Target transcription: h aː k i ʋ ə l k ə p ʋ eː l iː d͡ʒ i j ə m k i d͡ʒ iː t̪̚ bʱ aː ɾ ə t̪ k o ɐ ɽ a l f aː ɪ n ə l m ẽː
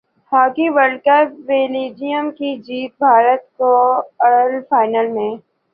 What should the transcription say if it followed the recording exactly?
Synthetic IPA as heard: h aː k i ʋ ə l k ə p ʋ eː l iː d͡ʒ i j ə m k i d͡ʒ iː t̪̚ bʱ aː ɾ ə t̪ k o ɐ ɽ ə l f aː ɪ n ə l m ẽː